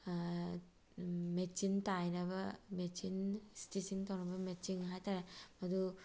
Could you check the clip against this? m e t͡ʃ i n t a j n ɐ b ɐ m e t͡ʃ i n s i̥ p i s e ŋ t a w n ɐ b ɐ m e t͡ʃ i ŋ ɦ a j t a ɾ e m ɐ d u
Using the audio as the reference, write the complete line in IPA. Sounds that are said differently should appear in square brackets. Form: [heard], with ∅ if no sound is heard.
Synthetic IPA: m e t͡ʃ i n t a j n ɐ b ɐ m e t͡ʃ i n s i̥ [t] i s [i] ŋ t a w n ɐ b ɐ m e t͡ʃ i ŋ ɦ a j t a ɾ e m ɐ d u